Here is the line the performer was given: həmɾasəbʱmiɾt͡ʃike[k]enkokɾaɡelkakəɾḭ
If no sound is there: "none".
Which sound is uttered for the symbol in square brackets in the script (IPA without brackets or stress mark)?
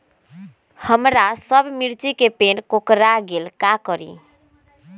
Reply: p